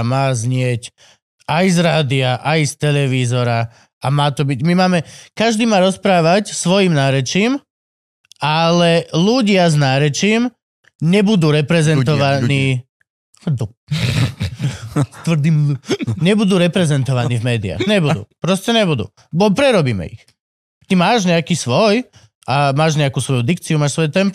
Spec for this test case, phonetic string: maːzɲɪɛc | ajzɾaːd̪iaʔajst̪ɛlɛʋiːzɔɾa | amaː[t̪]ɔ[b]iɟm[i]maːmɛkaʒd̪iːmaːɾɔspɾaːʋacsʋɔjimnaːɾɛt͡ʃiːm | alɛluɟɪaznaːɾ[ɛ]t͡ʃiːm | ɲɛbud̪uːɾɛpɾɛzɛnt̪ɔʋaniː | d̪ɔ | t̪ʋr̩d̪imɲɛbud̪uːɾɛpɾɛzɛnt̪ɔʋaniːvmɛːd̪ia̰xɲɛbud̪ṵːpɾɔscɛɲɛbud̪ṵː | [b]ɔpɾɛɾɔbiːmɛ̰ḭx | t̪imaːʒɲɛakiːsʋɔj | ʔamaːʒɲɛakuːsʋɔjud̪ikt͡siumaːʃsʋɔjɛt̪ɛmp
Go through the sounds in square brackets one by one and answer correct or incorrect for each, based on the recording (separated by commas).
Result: correct, correct, correct, correct, correct